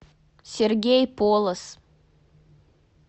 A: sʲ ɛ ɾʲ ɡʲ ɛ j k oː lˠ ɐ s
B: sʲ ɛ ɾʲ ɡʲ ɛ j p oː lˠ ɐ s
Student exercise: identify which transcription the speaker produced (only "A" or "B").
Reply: B